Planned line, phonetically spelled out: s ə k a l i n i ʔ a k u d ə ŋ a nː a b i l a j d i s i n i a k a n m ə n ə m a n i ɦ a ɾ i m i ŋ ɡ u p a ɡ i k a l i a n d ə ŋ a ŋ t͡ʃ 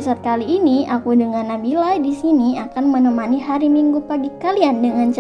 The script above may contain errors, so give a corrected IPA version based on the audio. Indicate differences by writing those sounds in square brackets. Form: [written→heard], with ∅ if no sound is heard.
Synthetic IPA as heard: s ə k a l [i→iː] n i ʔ a k u d ə ŋ a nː a b i l a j d i s i n i a k a n m ə n ə m a n i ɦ a ɾ i m i ŋ ɡ u p a ɡ i k a l i a n d ə ŋ a [ŋ→n] t͡ʃ